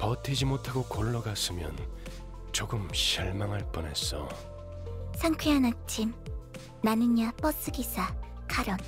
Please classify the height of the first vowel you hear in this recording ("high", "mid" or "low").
mid